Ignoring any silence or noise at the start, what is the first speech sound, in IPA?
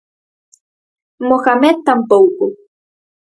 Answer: m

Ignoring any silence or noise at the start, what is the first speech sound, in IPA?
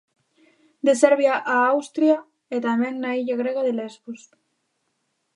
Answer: d̪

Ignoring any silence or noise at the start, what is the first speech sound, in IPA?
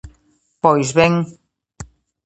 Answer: p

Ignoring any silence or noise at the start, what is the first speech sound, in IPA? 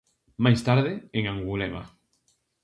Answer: m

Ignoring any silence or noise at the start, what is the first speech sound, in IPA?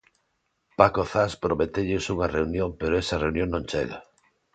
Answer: p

